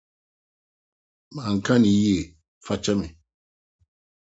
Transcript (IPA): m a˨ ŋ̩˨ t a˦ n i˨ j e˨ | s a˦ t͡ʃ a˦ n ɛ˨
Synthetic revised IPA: m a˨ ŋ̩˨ k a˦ n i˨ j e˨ | f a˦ t͡ʃ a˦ m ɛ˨